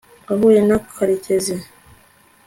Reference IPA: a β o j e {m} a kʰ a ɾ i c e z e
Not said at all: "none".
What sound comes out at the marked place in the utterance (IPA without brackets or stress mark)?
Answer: n